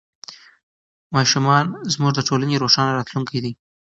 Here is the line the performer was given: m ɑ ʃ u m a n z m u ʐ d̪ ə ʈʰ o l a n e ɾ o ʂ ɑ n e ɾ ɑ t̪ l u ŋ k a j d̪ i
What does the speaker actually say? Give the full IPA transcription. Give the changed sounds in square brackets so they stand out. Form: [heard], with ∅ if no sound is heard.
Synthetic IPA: m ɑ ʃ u m [ɑ] n z m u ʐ d̪ ə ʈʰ o l a n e ɾ o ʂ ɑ n [a] ɾ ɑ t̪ l u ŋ k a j d̪ i